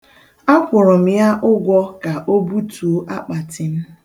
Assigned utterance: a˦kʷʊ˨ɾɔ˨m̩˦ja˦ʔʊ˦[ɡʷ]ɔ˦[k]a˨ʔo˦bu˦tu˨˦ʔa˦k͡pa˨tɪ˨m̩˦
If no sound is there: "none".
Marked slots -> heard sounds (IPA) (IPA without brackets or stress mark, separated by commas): ɡʷ, k